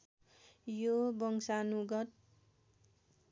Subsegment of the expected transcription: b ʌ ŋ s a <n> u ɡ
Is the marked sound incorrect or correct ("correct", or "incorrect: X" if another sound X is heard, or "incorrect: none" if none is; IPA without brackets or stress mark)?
correct